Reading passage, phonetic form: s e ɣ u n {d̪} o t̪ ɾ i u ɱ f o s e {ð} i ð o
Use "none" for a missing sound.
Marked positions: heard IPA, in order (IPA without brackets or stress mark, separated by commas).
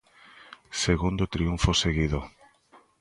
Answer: d̪, ɣ